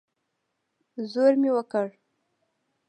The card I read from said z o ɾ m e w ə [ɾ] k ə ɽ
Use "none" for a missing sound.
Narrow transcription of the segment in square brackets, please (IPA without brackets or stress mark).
none